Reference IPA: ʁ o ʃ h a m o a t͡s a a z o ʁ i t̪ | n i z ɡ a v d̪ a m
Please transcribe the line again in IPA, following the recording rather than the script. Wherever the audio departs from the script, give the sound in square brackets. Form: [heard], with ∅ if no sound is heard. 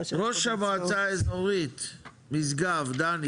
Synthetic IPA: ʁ o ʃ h a m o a t͡s a [e] z o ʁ i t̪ | [m] i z ɡ a v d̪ a [n]

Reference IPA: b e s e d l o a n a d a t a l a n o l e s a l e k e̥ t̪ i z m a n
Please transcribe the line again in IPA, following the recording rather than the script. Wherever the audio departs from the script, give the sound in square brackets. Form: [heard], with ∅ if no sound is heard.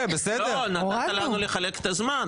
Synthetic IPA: b e s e d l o [e] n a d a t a l a n [u] l e [χ] a l e k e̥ t̪ [a] z m a n

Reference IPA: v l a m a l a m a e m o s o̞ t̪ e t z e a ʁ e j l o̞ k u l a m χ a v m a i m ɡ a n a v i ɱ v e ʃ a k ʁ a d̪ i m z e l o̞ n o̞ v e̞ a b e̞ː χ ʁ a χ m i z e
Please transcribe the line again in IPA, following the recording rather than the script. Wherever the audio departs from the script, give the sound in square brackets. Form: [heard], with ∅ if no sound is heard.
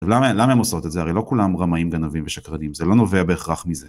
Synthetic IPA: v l a m a l a m a e m o s o̞ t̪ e t z e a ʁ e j l o̞ k u l a m [ʁ] a [∅] m a i m ɡ a n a v i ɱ v e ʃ a k ʁ a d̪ i m z e l o̞ n o̞ v e̞ a b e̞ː χ ʁ a χ m i z e

